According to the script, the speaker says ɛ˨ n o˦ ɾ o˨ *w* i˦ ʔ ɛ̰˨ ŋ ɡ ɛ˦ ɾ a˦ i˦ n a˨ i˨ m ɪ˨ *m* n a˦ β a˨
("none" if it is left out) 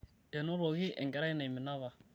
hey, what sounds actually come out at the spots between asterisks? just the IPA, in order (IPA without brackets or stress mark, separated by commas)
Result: ɣ, none